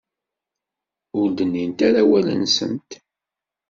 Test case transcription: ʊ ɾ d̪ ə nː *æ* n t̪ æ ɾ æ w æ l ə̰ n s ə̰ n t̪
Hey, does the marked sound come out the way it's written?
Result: no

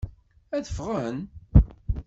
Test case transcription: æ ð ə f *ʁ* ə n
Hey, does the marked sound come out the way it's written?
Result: yes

